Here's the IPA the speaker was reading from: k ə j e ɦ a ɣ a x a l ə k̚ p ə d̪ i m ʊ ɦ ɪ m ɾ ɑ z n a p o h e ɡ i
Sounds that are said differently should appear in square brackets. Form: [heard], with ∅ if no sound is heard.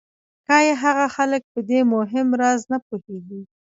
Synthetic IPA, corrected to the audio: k [ɑ] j e ɦ a ɣ a x a l ə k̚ p ə d̪ [e] m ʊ ɦ ɪ m ɾ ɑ z n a p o h e ɡ i